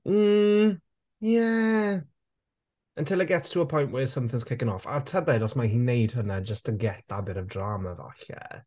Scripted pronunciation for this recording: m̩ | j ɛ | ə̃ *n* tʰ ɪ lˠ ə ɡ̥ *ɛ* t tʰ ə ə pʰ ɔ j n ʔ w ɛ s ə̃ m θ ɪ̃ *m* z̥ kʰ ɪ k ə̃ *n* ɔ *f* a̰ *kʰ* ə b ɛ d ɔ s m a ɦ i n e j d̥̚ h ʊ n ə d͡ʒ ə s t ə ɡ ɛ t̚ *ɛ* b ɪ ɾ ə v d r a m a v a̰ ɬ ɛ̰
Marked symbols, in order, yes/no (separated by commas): yes, yes, no, yes, yes, no, no